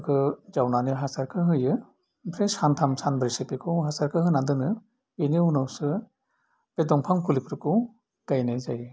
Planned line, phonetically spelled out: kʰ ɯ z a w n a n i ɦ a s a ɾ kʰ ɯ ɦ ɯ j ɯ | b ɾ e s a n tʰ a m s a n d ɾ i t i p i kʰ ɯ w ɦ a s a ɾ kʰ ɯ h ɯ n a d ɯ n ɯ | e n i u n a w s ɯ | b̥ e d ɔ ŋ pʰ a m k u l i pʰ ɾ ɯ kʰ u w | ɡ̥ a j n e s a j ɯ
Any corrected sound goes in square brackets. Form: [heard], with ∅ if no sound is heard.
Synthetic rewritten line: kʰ ɯ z a w n a n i ɦ a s a ɾ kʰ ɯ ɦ ɯ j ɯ | b ɾ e s a n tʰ a m s a n [b] ɾ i [s] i p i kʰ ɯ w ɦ a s a ɾ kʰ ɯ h ɯ n a d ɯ n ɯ | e n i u n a w s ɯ | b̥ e d ɔ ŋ pʰ a [ŋ] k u l i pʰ ɾ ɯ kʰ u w | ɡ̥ a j n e [z] a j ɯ